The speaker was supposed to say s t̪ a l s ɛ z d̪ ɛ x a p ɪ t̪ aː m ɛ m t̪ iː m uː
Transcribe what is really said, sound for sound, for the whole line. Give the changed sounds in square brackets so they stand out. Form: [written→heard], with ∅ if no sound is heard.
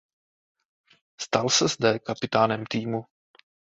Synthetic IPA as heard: s t̪ a l s ɛ z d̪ ɛ [x→k] a p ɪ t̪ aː [m→n] ɛ m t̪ iː m [uː→u]